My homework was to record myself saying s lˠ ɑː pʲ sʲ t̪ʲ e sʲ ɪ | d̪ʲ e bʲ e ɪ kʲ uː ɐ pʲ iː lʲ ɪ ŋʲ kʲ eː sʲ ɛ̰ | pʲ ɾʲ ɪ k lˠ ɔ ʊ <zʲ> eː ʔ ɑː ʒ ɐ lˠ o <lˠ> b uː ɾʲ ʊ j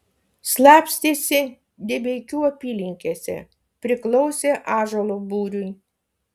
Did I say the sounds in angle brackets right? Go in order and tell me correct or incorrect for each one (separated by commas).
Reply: incorrect, incorrect